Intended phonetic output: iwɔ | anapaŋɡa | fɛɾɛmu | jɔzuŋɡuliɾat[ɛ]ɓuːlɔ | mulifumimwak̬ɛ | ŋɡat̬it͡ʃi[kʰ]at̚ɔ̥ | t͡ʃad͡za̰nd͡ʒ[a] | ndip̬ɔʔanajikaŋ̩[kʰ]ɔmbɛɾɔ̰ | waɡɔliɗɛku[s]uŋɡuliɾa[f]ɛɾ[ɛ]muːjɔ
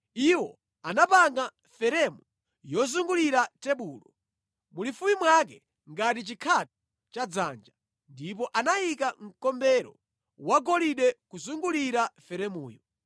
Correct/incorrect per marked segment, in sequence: correct, correct, correct, incorrect, incorrect, correct, correct

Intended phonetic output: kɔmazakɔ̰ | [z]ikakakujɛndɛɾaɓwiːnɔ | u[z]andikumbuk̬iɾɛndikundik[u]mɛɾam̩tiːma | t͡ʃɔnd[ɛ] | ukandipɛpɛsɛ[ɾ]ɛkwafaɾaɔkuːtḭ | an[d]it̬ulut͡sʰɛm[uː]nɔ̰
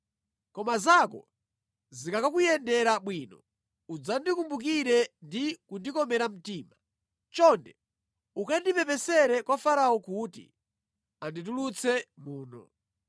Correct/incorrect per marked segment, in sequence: correct, incorrect, incorrect, correct, correct, correct, correct

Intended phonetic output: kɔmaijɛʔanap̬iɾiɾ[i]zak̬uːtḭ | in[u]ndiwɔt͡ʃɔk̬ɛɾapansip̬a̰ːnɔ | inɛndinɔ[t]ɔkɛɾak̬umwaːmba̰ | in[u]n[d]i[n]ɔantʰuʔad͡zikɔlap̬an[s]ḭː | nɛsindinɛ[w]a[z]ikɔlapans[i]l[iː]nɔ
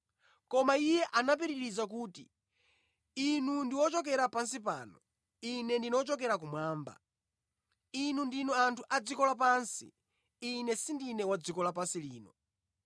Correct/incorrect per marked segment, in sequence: correct, correct, incorrect, correct, correct, correct, correct, correct, incorrect, correct, correct

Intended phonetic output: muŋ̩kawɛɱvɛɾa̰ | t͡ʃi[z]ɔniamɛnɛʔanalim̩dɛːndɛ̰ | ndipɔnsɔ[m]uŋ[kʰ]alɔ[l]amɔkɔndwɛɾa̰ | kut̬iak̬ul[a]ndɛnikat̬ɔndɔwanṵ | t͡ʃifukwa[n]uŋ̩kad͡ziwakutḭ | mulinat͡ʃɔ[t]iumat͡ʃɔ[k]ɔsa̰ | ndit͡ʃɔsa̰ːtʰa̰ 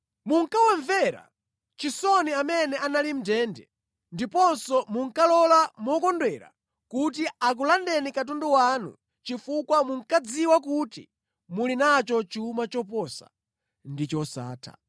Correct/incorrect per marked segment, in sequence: incorrect, correct, incorrect, correct, correct, incorrect, incorrect, incorrect

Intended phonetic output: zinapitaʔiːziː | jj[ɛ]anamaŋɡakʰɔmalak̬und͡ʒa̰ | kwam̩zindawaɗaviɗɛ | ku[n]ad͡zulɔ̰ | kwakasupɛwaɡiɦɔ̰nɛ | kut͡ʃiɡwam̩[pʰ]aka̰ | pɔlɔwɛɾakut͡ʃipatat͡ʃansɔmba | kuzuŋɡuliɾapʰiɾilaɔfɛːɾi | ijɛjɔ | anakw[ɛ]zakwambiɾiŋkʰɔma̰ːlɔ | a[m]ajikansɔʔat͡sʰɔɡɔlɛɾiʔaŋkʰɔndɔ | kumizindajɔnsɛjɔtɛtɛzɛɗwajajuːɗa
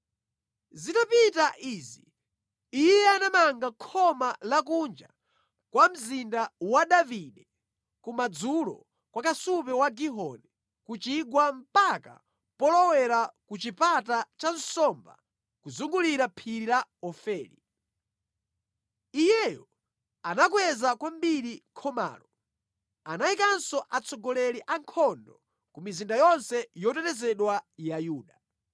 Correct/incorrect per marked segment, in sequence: correct, incorrect, incorrect, correct, incorrect

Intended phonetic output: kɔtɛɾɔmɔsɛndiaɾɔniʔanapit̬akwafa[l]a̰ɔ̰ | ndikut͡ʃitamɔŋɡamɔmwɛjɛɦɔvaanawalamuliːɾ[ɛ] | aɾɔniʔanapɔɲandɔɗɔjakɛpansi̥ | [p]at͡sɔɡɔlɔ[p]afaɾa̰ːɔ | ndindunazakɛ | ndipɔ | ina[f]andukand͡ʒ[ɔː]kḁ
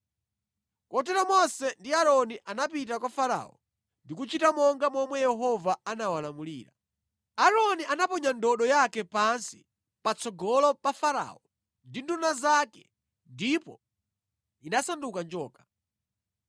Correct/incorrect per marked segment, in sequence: incorrect, incorrect, correct, correct, incorrect, correct

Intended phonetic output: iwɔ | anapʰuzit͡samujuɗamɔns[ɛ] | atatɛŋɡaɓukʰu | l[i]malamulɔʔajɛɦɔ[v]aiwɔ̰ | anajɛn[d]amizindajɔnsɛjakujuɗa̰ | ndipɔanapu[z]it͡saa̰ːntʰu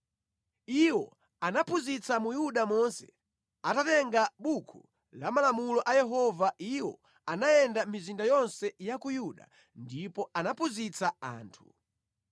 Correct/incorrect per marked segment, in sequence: correct, incorrect, correct, correct, correct

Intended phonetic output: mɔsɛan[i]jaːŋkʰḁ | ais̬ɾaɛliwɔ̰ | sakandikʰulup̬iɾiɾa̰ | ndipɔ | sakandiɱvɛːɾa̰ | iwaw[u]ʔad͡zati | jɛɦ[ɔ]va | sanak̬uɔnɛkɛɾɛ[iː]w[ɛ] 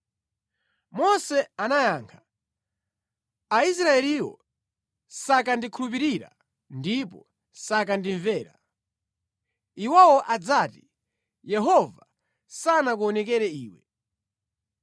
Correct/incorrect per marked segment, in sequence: incorrect, incorrect, correct, correct, correct

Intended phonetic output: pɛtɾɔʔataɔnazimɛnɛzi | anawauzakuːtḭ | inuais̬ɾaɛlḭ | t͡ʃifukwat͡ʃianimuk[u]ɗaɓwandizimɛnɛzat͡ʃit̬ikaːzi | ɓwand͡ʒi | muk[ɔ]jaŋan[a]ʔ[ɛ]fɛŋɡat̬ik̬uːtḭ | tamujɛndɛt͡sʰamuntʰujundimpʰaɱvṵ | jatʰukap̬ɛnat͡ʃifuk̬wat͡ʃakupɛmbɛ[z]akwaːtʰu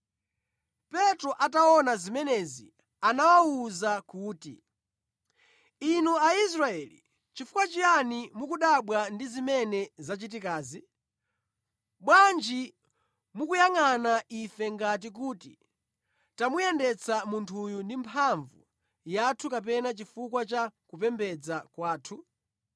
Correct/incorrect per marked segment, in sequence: correct, incorrect, correct, incorrect, incorrect

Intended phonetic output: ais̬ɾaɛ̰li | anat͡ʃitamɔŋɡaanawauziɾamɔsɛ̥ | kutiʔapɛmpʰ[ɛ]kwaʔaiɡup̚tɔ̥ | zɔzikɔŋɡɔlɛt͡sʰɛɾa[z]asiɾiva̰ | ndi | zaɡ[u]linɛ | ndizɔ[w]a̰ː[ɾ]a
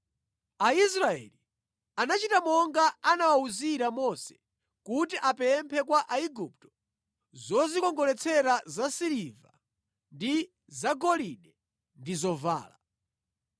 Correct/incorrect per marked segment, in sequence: correct, correct, incorrect, incorrect, incorrect

